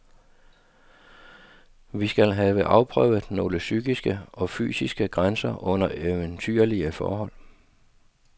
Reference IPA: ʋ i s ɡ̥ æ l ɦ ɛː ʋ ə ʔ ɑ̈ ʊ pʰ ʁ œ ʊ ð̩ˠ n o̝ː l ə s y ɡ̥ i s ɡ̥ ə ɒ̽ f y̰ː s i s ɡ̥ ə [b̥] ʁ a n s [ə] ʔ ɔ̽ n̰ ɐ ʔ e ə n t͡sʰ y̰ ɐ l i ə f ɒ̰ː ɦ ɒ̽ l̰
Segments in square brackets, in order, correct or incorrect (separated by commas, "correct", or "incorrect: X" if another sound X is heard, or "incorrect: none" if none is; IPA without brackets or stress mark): incorrect: ɡ̥, incorrect: ɐ